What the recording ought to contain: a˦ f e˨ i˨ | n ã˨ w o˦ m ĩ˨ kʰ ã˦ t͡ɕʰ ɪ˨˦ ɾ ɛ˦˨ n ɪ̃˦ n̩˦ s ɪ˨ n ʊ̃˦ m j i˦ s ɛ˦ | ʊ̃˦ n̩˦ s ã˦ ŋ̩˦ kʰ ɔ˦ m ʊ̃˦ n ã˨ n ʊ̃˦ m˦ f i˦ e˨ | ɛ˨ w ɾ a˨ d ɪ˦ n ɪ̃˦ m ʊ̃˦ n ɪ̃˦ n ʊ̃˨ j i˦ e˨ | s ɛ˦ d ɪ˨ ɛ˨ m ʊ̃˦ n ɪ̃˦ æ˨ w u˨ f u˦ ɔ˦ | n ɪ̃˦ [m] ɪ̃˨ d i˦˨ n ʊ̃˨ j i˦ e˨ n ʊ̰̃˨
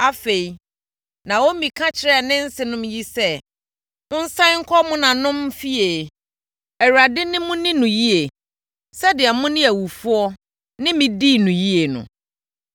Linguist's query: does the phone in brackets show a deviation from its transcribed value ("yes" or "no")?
no